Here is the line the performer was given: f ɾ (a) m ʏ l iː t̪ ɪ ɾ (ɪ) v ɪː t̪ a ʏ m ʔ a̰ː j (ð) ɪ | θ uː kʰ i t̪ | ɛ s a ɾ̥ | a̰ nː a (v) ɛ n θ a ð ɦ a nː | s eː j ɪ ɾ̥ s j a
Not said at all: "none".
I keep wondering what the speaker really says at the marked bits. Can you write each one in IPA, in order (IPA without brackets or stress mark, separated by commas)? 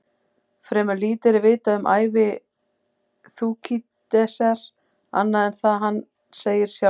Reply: ɛ, ɪ, v, ð